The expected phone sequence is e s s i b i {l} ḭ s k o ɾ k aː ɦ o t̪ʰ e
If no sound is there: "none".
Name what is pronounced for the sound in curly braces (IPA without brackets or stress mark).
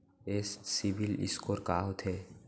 l